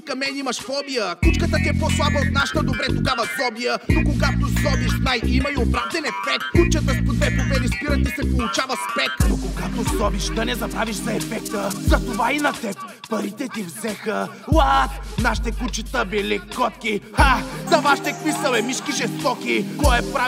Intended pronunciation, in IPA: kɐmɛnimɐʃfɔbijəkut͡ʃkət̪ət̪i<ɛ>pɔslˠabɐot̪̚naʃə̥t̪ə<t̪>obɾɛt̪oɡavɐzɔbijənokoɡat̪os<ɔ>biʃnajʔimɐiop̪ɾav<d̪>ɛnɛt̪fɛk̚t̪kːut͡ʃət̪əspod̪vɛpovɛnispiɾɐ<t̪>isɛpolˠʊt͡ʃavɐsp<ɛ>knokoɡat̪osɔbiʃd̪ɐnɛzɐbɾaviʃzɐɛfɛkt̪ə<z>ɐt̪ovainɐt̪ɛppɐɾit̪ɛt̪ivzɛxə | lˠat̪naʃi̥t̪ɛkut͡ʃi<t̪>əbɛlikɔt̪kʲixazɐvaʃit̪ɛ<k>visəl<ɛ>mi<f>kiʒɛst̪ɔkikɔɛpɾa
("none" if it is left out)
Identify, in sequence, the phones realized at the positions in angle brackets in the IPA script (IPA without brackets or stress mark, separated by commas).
ɛ, d̪, ɔ, d̪, t̪, ɛ, z, t̪, k, ɛ, ʃ